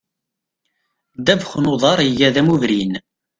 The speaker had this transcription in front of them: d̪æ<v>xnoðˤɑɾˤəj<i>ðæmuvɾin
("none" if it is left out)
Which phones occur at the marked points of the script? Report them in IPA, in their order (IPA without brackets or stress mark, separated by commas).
v, æ